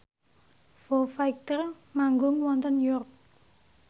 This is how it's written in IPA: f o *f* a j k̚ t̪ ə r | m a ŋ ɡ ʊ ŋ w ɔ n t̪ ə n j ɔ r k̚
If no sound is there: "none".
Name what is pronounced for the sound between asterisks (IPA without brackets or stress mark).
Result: f